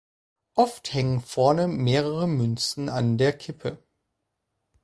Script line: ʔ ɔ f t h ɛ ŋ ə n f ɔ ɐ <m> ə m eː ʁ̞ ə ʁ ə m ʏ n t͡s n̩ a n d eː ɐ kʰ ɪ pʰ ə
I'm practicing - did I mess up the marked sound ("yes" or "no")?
yes